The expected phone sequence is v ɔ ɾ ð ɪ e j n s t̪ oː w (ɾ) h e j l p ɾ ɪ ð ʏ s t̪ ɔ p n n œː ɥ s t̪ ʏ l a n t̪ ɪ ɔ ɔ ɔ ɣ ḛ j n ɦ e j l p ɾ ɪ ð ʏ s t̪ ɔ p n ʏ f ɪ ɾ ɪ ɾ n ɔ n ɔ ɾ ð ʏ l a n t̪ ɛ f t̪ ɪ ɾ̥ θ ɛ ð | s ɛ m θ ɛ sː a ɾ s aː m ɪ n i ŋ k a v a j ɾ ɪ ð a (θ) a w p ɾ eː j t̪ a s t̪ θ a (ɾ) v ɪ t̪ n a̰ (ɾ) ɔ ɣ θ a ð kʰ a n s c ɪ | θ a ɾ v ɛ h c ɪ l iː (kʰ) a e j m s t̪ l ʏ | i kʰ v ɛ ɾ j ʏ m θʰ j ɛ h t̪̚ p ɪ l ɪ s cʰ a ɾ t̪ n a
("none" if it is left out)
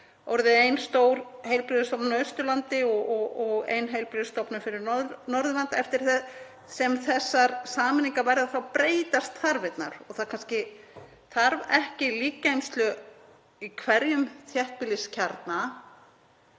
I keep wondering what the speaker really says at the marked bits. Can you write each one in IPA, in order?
ɾ, θ, ɾ, ɾ, k

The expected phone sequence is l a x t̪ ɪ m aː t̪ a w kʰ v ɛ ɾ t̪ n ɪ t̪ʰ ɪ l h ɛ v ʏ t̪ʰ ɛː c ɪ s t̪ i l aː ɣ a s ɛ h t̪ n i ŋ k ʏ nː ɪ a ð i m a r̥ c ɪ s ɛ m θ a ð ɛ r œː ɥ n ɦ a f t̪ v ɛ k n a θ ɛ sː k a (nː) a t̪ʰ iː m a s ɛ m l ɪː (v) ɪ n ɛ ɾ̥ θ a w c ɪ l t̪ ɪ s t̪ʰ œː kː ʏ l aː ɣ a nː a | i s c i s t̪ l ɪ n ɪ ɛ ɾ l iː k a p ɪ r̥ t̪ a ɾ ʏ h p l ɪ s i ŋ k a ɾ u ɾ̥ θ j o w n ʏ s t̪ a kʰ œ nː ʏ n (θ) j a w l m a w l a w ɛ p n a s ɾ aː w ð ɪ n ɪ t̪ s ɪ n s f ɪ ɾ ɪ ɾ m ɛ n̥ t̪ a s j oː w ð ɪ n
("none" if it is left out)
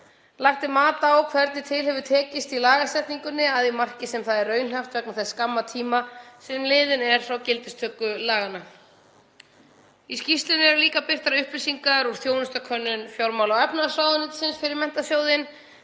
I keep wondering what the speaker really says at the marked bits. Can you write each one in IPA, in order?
mː, ð, f

